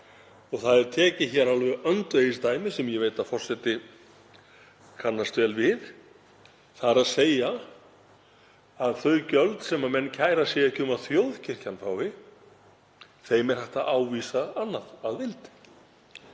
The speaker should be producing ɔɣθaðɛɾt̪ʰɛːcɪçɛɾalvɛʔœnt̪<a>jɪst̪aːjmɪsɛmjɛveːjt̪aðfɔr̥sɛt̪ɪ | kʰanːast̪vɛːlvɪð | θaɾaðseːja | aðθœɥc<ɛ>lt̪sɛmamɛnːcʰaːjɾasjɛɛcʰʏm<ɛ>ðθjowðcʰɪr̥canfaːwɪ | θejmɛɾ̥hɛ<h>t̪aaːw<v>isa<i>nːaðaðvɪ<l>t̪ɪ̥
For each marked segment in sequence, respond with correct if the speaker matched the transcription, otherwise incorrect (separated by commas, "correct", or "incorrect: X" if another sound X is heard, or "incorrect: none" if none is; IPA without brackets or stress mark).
incorrect: e, incorrect: œ, incorrect: a, correct, correct, incorrect: a, correct